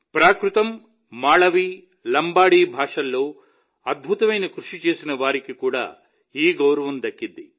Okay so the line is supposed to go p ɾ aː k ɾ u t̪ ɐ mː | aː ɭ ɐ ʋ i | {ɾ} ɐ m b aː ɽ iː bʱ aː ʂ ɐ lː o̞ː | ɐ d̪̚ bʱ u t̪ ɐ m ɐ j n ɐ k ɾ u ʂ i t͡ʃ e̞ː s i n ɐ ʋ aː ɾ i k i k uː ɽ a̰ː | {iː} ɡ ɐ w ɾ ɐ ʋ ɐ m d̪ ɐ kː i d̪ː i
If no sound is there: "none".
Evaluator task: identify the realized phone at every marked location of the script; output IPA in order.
l, iː

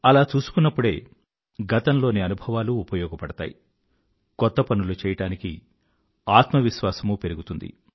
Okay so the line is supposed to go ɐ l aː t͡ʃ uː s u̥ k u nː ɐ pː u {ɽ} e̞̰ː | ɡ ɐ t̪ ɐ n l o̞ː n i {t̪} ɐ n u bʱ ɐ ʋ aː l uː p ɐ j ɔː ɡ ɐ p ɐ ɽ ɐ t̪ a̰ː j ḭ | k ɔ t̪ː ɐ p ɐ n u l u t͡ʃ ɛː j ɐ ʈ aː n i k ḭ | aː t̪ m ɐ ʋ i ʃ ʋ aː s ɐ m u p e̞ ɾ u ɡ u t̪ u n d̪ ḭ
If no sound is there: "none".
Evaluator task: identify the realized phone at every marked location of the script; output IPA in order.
ɽ, none

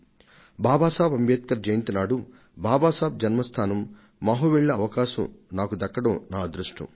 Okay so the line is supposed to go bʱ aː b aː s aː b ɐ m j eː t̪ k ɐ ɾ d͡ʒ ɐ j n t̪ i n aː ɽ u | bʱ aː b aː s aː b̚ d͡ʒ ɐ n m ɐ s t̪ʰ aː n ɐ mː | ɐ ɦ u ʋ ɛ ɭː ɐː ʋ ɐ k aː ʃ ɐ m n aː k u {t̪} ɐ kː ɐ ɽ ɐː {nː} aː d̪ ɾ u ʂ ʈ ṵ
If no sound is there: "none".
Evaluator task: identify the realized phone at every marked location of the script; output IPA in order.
d̪, n

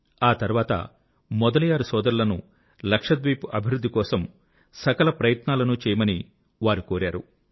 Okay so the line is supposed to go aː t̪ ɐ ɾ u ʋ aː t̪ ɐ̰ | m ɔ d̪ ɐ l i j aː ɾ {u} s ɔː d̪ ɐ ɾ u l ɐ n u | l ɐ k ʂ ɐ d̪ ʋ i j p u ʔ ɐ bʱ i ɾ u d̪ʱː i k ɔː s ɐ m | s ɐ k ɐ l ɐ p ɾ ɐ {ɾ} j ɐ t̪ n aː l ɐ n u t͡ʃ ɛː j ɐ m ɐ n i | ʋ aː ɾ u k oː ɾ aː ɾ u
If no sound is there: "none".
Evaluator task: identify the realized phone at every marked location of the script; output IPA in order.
u, none

